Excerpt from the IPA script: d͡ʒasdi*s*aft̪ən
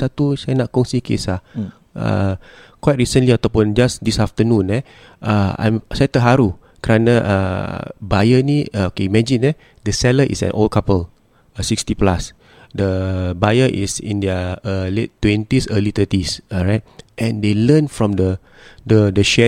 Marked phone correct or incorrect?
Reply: correct